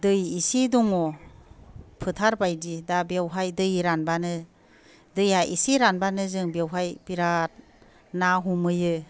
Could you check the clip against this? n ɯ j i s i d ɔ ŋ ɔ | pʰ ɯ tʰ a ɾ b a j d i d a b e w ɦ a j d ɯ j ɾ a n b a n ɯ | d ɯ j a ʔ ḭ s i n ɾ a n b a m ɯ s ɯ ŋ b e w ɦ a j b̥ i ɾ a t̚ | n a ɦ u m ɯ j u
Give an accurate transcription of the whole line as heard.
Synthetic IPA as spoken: d ɯ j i s i d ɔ ŋ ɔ | pʰ ɯ tʰ a ɾ b a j d i d a b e w ɦ a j d ɯ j ɾ a n b a n ɯ | d ɯ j a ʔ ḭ s i ɾ a n b a n ɯ z ɯ ŋ b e w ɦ a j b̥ i ɾ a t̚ | n a ɦ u m ɯ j ɯ